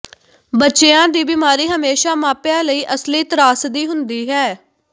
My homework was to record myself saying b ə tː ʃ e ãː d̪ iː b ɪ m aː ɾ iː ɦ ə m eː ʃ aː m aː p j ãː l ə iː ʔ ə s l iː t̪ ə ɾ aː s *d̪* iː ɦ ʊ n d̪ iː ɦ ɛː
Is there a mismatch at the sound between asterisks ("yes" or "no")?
no